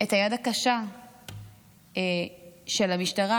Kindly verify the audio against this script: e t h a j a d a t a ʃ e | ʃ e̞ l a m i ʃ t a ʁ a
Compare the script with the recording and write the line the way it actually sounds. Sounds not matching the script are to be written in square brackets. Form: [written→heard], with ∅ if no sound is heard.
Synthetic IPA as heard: e t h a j a d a [t→k] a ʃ [e→a] | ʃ e̞ l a m i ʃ t a ʁ a